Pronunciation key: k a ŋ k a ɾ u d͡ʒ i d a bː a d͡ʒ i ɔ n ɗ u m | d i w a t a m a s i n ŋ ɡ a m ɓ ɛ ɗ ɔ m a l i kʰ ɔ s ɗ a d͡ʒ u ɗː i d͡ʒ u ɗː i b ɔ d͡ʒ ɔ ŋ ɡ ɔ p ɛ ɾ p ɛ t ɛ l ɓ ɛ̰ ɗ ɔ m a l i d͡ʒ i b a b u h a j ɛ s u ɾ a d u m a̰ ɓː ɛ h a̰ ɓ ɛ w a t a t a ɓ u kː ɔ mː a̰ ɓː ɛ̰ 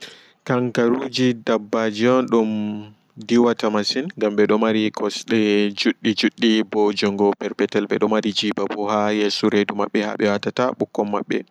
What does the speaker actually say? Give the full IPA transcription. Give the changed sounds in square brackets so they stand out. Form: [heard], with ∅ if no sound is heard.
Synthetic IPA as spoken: k a ŋ k a ɾ u d͡ʒ i d a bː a d͡ʒ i ɔ n ɗ u m | d i w a t a m a s i n ŋ ɡ a m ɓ ɛ ɗ ɔ m a [ɾ] i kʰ ɔ s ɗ [ɛ] d͡ʒ u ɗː i d͡ʒ u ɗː i b ɔ d͡ʒ ɔ ŋ ɡ ɔ p ɛ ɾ p ɛ t ɛ l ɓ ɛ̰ ɗ ɔ m a [ɾ] i d͡ʒ i b a b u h a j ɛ s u ɾ [e] d u m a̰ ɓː ɛ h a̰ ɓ ɛ w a t a t a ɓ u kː ɔ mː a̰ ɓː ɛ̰